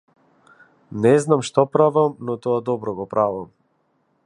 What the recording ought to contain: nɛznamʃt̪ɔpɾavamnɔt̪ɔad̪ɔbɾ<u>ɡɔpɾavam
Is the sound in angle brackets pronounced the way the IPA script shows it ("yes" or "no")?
no